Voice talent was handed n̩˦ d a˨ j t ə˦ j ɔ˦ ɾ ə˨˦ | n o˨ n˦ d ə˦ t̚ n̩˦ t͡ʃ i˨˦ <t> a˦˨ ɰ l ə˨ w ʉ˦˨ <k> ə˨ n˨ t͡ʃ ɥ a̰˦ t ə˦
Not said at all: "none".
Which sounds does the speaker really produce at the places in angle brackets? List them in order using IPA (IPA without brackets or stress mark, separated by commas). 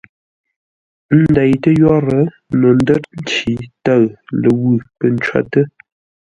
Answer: t, p